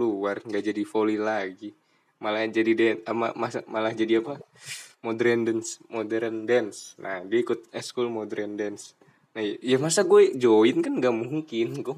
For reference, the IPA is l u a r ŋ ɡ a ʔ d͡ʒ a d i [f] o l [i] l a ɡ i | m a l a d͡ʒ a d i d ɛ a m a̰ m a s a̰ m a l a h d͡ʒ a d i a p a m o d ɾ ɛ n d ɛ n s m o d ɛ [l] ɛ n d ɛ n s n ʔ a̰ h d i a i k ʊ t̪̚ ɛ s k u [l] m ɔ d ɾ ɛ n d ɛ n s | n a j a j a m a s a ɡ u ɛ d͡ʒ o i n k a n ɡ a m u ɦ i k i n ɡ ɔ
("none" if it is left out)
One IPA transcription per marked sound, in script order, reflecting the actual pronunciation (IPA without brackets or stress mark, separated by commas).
f, i, ɾ, l